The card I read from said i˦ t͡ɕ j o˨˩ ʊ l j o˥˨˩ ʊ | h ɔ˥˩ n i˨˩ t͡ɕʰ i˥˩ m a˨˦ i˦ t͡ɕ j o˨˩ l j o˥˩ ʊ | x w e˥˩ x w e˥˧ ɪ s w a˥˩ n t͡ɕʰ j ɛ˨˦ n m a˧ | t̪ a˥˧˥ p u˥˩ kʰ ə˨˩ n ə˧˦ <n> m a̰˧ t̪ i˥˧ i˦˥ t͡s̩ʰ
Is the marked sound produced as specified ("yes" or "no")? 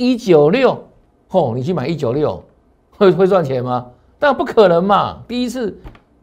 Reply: no